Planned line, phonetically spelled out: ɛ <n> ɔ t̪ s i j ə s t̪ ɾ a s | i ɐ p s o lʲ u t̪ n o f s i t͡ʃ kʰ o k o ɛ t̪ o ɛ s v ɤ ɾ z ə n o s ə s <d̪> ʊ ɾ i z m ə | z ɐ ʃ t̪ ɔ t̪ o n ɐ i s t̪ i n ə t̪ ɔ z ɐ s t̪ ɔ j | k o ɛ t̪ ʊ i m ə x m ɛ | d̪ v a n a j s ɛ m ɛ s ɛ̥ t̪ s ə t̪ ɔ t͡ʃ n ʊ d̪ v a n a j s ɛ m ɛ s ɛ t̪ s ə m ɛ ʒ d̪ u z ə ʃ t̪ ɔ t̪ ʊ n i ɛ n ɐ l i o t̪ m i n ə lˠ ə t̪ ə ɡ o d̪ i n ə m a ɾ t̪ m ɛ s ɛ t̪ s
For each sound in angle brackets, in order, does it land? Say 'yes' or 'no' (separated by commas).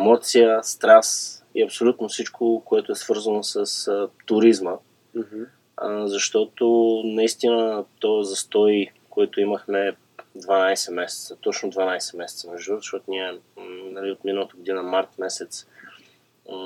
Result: no, no